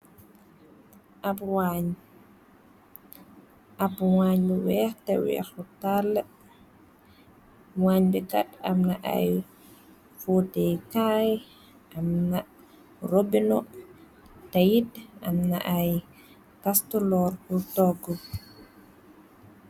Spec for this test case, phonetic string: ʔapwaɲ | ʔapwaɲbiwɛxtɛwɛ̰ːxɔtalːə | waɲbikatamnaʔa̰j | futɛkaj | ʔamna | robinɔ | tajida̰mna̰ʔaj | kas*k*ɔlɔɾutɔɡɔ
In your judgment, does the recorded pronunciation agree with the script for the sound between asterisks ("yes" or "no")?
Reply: no